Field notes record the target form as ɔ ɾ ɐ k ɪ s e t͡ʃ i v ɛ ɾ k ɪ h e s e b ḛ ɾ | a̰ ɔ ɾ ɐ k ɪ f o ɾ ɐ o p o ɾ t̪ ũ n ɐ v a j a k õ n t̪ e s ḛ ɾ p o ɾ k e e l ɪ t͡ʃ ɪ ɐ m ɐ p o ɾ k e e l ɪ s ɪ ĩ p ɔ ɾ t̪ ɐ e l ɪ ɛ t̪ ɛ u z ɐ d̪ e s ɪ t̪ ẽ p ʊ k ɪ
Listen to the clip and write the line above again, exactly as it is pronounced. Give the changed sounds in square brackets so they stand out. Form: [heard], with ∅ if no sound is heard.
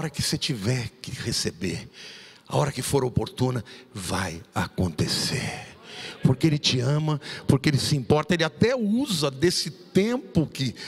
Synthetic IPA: ɔ ɾ ɐ k ɪ s e t͡ʃ i v ɛ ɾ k ɪ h e s e b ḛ ɾ | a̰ ɔ ɾ ɐ k ɪ f o ɾ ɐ o p o ɾ t̪ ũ n ɐ v a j a k õ n t̪ e s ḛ ɾ p o ɾ k e e l ɪ t͡ʃ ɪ [ɐ̃] m ɐ p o ɾ k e e l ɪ s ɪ ĩ p ɔ ɾ t̪ ɐ e l ɪ [a] t̪ ɛ u z ɐ d̪ e s ɪ t̪ ẽ p ʊ k ɪ